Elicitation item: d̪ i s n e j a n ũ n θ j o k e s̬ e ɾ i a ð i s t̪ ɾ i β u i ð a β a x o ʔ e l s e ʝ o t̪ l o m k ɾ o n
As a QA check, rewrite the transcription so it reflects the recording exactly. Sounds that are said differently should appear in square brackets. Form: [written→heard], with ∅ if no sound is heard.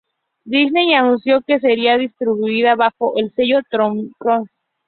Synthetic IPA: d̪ i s n e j a n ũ n [θ→s] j o k e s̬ e ɾ i a ð i s t̪ ɾ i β u i ð a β a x o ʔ e l s e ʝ o t̪ [l→ɾ] o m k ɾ o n